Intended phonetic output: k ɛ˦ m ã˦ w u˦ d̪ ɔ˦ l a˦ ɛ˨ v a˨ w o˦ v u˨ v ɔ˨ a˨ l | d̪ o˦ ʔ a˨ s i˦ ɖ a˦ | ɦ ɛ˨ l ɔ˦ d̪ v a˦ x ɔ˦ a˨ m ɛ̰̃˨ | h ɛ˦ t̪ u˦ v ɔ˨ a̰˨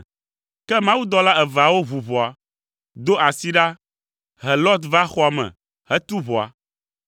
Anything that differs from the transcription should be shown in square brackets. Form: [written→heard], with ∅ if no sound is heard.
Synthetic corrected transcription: k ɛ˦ m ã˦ w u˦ d̪ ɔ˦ l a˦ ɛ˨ v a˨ w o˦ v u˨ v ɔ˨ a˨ [l→∅] | d̪ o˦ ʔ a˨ s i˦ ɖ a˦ | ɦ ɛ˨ l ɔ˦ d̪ v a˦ x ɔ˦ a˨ m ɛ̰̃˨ | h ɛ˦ t̪ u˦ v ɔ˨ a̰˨